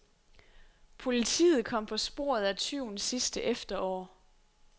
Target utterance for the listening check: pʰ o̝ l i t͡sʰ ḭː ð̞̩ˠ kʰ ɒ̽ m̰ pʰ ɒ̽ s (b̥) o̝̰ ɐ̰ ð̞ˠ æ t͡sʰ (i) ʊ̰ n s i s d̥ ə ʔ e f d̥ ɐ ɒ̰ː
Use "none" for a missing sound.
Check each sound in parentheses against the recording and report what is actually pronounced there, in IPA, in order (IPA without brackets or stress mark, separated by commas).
b̥, y